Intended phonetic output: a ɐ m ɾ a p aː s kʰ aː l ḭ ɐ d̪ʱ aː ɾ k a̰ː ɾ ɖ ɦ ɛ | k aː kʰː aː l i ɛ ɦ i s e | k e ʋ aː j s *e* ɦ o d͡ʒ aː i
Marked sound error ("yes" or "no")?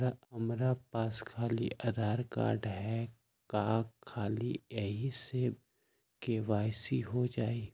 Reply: yes